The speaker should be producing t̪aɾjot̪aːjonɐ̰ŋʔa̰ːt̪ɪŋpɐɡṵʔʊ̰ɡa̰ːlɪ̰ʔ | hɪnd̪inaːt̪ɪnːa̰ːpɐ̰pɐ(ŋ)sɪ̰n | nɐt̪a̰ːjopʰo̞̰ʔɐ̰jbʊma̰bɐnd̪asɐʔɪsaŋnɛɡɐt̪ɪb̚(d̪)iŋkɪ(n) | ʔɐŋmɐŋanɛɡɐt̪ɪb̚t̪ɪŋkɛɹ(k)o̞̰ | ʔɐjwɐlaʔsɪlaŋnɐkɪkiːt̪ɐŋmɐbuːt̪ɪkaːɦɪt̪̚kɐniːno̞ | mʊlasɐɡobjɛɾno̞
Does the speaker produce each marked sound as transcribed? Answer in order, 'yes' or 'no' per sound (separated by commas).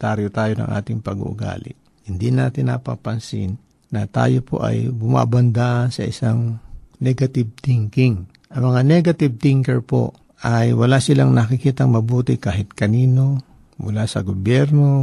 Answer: no, no, no, no